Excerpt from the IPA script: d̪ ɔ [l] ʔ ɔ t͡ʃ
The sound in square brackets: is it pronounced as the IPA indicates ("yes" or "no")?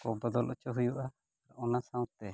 yes